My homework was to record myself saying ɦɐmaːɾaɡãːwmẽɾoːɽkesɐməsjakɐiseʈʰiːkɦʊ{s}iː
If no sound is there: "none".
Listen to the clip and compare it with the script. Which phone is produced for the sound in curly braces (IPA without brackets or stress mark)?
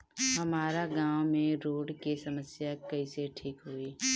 none